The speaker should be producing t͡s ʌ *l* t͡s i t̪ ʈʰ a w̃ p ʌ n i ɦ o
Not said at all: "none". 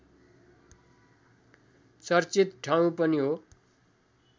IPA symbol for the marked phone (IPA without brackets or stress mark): r